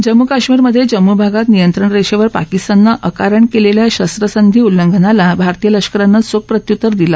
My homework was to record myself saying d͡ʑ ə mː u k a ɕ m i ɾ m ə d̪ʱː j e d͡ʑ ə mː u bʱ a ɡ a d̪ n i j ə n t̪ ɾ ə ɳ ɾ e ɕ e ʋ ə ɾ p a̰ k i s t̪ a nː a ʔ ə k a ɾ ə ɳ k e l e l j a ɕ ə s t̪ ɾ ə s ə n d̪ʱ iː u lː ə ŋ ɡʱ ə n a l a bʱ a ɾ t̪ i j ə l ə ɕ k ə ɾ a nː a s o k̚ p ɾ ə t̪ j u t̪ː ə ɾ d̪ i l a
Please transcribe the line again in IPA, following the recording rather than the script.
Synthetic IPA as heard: d͡ʑ ə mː u k a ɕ m i ɾ m ə d̪ʱː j e d͡ʑ ə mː u bʱ a ɡ a t̪ n i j ə n t̪ ɾ ə ɳ ɾ e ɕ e ʋ ə ɾ p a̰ k i s t̪ a nː a ʔ ə k a ɾ ə ɳ k e l e l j a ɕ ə s t̪ ɾ ə s ə n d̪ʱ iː u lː ə ŋ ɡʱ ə n a l a bʱ a ɾ t̪ i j ə l ə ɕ k ə ɾ a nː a s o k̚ p ɾ ə t̪ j u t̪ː ə ɾ d̪ i l a